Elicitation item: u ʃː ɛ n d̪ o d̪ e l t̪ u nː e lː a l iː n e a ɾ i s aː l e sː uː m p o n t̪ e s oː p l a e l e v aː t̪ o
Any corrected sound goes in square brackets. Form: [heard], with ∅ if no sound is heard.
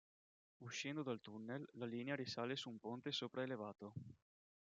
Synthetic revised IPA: u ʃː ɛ n d̪ o d̪ [a] l t̪ u nː e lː a l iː n e a ɾ i s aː l e [s] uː m p o n t̪ e s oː p [ɾ] a e l e v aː t̪ o